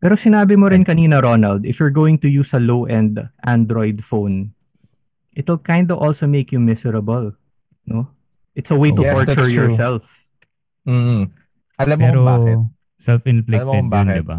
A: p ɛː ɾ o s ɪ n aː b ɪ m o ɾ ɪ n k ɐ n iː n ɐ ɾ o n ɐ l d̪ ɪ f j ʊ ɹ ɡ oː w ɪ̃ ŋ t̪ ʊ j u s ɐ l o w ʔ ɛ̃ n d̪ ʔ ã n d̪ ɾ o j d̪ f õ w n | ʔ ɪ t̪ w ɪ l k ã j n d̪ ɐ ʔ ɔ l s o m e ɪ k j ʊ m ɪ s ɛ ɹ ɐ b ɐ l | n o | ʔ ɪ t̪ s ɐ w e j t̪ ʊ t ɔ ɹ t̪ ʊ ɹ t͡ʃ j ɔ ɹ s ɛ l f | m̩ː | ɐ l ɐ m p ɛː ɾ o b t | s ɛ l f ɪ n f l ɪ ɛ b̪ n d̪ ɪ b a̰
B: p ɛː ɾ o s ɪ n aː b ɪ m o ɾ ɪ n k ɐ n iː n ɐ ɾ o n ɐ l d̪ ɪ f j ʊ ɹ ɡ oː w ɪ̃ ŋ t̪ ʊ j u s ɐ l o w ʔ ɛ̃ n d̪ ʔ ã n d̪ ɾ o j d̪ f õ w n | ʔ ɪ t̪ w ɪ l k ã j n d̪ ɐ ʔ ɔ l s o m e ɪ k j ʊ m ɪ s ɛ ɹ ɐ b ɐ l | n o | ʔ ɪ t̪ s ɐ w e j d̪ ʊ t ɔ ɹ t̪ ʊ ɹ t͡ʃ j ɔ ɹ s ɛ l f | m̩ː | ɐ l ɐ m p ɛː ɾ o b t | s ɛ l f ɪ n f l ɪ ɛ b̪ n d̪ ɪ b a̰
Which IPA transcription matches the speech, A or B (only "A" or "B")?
A